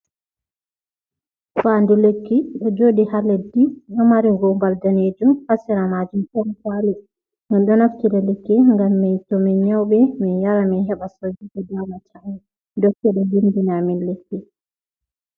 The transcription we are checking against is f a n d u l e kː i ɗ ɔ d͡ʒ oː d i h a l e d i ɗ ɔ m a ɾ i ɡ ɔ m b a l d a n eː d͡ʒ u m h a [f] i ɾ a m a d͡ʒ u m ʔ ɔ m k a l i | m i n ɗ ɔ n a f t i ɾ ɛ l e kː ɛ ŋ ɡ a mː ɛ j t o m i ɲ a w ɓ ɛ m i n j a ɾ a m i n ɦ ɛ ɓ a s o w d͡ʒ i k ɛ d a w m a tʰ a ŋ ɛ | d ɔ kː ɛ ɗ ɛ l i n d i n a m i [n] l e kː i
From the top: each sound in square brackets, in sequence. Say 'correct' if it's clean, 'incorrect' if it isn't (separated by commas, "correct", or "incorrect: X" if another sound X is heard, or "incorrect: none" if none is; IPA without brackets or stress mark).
incorrect: s, correct